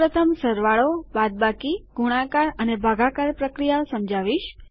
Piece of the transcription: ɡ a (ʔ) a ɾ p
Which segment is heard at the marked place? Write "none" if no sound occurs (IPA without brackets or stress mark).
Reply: k